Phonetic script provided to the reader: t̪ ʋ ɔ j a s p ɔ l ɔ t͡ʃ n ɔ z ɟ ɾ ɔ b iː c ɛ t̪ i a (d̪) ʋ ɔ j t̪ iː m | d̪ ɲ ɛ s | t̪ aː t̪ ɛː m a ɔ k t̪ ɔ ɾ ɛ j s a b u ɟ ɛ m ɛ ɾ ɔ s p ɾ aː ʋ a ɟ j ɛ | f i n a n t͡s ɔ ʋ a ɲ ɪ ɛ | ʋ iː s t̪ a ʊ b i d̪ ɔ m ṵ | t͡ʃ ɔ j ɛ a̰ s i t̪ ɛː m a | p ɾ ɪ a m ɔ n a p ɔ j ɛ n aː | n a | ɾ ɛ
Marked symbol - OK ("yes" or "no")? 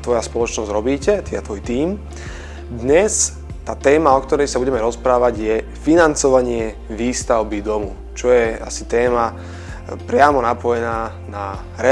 no